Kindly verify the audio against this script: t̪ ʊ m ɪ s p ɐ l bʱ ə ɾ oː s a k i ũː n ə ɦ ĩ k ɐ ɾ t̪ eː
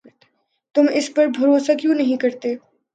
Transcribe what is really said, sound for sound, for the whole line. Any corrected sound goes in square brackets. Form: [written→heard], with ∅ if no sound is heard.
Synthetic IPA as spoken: t̪ ʊ m ɪ s p ɐ [l→ɾ] bʱ [ə→ɐ] ɾ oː s a k [i→j] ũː n [ə→ɐ] ɦ ĩ k ɐ ɾ t̪ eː